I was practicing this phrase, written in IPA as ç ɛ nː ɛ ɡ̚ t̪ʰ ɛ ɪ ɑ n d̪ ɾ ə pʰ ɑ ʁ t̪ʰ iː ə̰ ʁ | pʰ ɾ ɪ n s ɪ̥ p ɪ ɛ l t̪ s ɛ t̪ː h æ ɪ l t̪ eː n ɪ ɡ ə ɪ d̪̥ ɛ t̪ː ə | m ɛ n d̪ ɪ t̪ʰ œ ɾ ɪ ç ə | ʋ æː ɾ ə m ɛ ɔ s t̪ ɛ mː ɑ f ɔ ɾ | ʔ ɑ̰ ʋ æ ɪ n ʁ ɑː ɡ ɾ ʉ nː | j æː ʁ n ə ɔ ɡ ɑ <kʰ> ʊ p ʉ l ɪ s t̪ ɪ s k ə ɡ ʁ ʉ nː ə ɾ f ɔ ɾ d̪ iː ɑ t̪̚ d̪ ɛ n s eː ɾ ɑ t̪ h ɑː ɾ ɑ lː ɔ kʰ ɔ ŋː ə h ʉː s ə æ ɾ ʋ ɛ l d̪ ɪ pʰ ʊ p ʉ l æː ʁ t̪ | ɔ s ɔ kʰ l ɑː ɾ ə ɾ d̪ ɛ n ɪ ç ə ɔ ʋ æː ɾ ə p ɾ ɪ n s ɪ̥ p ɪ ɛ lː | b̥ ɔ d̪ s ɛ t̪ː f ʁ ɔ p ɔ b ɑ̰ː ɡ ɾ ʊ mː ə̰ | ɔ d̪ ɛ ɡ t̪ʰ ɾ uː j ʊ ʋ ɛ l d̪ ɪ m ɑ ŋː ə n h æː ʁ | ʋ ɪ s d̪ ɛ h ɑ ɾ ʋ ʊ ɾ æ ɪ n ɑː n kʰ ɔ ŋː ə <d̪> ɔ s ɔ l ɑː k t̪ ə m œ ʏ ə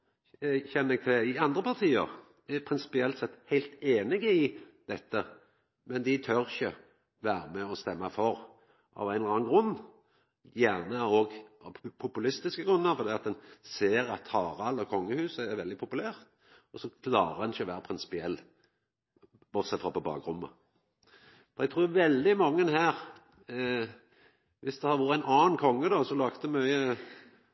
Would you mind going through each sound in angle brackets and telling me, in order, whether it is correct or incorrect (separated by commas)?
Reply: incorrect, correct